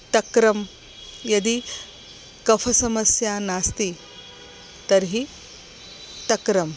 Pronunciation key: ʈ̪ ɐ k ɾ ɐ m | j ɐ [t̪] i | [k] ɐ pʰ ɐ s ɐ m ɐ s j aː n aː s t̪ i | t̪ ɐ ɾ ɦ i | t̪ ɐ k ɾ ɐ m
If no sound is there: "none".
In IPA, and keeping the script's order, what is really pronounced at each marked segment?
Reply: d̪, k

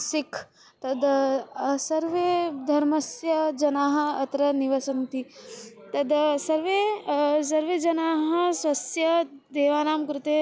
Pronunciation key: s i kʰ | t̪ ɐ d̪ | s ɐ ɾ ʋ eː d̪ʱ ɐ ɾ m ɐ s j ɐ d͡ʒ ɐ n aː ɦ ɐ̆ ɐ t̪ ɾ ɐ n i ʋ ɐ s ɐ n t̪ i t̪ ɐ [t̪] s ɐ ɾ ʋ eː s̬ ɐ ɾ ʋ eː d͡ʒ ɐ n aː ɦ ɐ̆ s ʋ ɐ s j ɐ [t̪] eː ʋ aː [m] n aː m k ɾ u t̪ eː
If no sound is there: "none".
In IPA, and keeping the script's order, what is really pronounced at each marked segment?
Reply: d̪, d̪, none

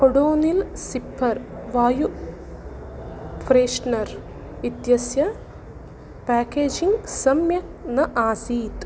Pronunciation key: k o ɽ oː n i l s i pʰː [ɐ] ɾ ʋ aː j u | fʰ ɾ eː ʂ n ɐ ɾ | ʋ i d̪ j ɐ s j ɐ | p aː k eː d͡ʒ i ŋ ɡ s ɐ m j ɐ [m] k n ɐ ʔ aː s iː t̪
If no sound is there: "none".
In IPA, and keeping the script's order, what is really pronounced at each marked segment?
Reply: ɐ, none

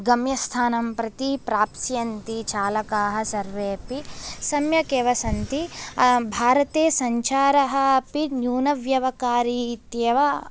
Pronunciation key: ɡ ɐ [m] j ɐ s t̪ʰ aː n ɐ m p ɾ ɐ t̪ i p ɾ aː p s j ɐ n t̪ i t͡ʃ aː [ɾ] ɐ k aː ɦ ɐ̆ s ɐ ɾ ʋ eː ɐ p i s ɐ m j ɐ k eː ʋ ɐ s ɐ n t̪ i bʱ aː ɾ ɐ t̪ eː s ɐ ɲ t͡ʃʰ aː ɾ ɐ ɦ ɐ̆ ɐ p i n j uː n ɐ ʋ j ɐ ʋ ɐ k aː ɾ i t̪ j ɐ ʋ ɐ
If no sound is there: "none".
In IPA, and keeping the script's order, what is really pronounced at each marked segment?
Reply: m, l

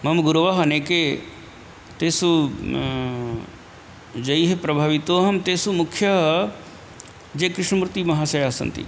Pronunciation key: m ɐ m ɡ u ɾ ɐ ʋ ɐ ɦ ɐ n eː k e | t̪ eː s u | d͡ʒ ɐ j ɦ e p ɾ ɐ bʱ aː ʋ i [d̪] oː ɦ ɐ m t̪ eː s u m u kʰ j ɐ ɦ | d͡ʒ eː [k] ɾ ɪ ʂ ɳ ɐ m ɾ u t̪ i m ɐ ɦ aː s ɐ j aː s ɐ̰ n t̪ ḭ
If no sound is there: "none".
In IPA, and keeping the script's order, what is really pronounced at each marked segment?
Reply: t̪, k

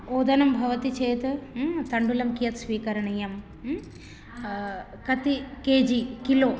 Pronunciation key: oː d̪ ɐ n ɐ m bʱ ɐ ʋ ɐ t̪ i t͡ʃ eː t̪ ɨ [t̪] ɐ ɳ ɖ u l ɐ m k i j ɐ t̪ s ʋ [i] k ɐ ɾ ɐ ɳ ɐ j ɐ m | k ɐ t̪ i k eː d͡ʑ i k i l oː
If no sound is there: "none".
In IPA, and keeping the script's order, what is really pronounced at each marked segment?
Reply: t̪, iː

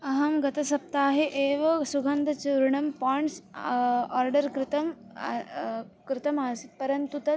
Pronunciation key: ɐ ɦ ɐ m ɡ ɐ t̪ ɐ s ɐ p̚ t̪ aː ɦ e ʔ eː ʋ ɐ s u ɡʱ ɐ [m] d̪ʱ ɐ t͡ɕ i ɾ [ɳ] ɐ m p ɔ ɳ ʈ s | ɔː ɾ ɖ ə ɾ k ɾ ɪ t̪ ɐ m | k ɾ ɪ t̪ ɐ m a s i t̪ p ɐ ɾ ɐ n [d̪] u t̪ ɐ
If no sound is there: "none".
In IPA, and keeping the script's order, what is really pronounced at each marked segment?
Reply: n, ɳ, t̪

